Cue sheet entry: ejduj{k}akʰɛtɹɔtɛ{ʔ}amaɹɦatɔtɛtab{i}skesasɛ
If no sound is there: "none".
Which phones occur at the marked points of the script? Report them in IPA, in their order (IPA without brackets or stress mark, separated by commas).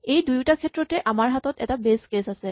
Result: t, ʔ, e